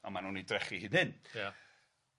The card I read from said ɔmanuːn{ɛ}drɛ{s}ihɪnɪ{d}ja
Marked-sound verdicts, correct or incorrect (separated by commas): incorrect, incorrect, incorrect